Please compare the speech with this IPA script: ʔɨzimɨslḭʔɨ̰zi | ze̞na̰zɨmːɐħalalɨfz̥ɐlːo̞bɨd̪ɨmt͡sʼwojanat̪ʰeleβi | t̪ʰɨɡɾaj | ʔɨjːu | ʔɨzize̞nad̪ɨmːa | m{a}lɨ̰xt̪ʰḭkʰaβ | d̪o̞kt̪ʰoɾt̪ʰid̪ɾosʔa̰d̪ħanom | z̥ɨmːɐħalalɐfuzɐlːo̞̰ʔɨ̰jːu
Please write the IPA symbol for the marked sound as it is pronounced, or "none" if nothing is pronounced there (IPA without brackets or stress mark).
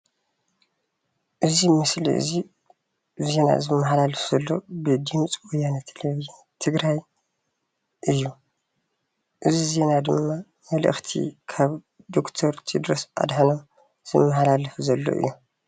ɐ